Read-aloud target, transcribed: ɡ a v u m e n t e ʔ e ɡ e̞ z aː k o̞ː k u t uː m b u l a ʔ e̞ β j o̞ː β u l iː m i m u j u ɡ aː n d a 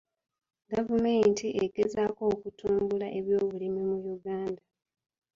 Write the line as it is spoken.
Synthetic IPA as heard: ɡ a v u m e n t i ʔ e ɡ e̞ z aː k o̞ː k u t uː m b u l a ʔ e̞ β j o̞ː β u l i m i m u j u ɡ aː n d a